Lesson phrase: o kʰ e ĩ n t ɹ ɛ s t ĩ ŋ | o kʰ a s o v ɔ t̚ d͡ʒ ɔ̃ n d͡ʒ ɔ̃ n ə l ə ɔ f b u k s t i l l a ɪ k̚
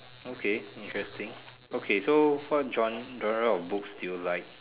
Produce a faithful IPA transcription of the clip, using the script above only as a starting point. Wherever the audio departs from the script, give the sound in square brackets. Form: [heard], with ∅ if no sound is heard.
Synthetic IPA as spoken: o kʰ e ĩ n t ɹ ɛ s t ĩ ŋ | o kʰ [e] s o [w] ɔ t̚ d͡ʒ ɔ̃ n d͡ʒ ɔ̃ n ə [ɹ] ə ɔ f b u k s t i l l a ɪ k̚